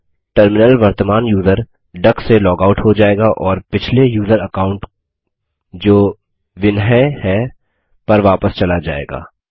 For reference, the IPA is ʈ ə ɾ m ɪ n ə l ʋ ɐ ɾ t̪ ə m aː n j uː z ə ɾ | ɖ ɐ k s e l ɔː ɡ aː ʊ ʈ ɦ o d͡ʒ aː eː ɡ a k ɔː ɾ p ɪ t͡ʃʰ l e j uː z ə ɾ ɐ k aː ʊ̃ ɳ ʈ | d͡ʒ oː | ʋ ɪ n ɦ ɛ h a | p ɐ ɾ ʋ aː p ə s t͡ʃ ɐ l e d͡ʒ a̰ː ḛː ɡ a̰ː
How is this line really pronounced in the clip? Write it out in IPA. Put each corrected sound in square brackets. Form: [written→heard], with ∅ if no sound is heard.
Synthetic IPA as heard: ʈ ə ɾ m ɪ n ə l ʋ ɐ ɾ t̪ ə m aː n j uː z ə ɾ | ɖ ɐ k s e l ɔː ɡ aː ʊ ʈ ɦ o d͡ʒ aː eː ɡ a [k→ʔ] ɔː ɾ p ɪ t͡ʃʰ l e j uː z ə ɾ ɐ k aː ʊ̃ ɳ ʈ | d͡ʒ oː | ʋ ɪ n ɦ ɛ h [a→ɛ] | p ɐ ɾ ʋ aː p ə s t͡ʃ ɐ l [e→a] d͡ʒ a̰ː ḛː ɡ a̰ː